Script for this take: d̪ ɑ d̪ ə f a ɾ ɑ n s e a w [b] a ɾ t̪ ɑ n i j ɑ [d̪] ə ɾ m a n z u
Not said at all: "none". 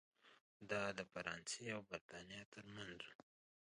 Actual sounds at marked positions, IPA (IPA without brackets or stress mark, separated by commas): b, t̪